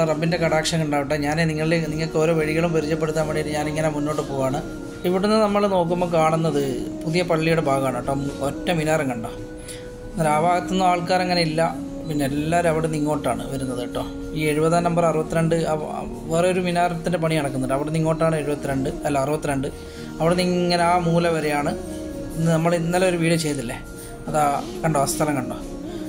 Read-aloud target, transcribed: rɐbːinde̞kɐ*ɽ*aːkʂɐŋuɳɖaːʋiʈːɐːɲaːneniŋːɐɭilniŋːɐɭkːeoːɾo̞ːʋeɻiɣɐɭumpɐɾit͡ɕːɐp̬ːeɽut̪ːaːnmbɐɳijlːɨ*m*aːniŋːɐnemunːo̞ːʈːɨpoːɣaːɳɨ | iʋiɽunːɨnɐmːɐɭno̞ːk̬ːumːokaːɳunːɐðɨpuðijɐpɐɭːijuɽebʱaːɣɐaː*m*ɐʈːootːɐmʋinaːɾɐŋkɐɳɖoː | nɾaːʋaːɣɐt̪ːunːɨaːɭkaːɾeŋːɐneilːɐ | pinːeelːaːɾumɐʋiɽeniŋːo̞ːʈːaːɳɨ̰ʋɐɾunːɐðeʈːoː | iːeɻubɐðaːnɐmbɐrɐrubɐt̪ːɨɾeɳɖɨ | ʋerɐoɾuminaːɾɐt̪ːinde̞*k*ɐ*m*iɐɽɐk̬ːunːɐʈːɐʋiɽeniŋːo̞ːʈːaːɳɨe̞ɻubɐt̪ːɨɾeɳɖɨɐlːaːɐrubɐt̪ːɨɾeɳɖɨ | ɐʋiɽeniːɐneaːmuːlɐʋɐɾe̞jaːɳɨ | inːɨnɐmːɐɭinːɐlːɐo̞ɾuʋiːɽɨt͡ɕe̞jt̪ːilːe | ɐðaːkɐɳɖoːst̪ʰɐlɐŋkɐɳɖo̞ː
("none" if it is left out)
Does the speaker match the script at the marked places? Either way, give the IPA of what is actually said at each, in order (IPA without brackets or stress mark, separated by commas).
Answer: ɽ, ɲ, ɳ, p, ɳ